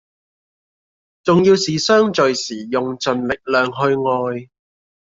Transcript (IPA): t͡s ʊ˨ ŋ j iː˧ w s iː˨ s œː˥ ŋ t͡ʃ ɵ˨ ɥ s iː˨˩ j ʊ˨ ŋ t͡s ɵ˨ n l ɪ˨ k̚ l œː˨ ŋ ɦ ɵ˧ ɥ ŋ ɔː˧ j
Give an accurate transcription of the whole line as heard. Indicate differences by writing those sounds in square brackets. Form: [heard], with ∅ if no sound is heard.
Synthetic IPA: t͡s ʊ˨ ŋ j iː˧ w s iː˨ s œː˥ ŋ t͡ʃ ɵ˨ ɥ s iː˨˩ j ʊ˨ ŋ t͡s ɵ˨ n l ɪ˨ k̚ l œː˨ ŋ ɦ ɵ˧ ɥ ŋ ɔː˧ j

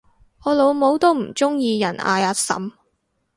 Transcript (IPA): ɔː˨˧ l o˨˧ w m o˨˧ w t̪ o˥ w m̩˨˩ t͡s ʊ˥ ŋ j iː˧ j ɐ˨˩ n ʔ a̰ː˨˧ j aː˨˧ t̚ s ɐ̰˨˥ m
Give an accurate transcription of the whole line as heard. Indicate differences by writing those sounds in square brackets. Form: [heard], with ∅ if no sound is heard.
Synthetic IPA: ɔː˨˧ l o˨˧ w m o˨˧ w t̪ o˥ w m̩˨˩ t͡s ʊ˥ ŋ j iː˧ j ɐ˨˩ n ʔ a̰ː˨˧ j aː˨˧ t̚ s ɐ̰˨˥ m

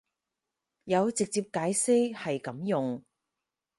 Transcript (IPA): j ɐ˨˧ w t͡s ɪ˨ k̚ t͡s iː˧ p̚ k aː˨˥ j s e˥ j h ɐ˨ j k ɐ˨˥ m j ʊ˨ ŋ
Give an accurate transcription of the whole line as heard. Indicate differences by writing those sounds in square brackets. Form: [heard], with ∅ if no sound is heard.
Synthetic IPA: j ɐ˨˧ w t͡s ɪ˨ k̚ t͡s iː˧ p̚ k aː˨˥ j s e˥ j h ɐ˨ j k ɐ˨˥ m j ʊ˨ ŋ

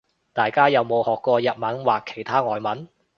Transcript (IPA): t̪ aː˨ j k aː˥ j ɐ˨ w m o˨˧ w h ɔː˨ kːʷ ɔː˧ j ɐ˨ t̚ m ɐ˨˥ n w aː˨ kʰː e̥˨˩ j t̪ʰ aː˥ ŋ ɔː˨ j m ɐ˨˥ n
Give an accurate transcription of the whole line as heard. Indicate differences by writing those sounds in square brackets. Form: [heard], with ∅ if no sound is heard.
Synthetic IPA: t̪ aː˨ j k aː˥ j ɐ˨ w m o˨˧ w h ɔː˨ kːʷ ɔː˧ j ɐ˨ t̚ m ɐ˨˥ n w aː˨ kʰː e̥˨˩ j t̪ʰ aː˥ ŋ ɔː˨ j m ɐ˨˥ n

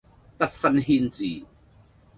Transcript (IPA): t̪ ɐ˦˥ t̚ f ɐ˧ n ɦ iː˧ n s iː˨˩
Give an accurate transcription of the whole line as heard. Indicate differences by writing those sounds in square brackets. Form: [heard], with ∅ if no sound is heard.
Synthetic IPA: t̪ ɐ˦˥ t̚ f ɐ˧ n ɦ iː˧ n [t͡s] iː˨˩

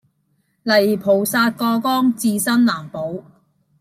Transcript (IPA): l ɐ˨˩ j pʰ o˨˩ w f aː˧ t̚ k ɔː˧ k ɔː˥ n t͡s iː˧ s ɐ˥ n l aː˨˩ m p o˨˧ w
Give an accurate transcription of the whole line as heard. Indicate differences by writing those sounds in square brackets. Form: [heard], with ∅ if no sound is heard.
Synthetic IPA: l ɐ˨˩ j pʰ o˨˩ w [s] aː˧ t̚ k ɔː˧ k ɔː˥ [ŋ] t͡s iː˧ s ɐ˥ n l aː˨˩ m p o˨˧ w

